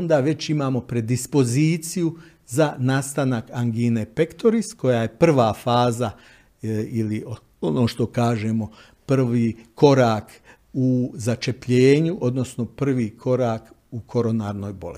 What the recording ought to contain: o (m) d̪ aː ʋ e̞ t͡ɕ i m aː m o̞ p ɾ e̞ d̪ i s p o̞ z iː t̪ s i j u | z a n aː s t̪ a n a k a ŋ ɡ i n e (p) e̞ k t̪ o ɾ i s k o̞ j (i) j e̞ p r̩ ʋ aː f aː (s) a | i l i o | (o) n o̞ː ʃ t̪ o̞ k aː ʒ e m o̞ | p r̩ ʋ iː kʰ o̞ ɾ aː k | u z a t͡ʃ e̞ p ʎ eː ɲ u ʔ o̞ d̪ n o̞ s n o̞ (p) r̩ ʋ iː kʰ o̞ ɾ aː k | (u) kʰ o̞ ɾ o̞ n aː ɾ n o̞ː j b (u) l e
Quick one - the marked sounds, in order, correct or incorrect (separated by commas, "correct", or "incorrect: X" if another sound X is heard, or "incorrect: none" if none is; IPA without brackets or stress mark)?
incorrect: n, correct, incorrect: a, incorrect: z, correct, correct, correct, incorrect: o